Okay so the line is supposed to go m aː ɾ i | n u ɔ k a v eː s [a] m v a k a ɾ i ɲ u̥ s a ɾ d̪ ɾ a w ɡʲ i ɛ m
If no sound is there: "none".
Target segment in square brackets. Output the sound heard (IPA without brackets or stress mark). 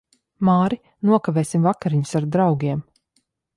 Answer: i